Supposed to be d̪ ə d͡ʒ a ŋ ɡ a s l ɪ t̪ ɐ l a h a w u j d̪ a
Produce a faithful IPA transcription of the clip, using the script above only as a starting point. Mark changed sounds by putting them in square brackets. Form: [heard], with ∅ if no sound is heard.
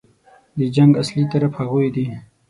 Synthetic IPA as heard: d̪ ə d͡ʒ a ŋ ɡ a s l [i] t̪ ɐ [ɾ] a [f] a [ɣ] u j d̪ [i]

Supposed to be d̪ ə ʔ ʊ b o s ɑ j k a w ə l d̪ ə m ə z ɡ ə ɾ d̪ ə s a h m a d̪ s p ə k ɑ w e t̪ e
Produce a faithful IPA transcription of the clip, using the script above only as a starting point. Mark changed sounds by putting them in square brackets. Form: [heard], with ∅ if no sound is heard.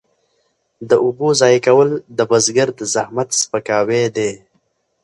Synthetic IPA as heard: d̪ ə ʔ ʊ b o [z] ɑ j k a w ə l d̪ ə [b] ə z ɡ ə ɾ d̪ ə [z] a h m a [t̪] s p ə k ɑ w e [d̪] e

